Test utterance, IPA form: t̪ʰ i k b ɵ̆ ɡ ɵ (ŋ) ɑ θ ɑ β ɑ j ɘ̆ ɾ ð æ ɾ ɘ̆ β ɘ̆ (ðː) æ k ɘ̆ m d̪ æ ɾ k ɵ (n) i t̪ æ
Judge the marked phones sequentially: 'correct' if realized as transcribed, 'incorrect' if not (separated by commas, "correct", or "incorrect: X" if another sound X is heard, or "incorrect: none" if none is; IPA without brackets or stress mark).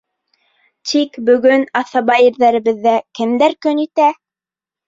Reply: incorrect: n, correct, correct